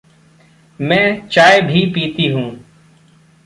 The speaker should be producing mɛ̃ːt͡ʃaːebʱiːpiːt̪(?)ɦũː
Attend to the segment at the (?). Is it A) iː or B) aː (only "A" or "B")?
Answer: A